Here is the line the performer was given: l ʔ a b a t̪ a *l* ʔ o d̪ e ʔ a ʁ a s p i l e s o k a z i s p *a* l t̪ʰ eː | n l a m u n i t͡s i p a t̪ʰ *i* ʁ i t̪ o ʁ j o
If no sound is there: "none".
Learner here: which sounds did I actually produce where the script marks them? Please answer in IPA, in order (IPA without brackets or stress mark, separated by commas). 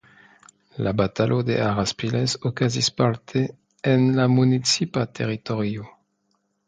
l, a, e